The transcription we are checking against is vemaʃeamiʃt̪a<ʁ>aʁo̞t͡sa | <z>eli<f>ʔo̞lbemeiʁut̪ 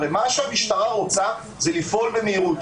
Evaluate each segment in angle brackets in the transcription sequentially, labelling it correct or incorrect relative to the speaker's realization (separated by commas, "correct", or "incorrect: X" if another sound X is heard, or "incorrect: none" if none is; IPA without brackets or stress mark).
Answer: correct, correct, correct